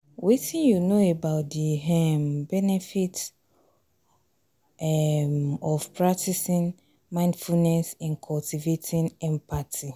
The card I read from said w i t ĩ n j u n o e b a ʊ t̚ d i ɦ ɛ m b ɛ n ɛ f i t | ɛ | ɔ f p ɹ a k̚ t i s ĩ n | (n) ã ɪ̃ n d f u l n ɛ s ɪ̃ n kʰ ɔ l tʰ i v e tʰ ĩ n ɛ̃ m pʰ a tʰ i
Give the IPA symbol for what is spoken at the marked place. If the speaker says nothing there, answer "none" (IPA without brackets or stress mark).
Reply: m